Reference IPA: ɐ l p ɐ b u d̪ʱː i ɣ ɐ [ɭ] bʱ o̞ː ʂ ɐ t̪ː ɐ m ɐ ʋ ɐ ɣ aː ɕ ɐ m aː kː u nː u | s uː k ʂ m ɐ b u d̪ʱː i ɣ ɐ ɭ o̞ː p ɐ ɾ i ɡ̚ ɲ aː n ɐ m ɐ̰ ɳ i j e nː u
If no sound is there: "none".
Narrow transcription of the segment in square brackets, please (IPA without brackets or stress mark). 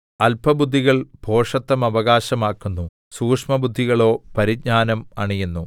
ɭ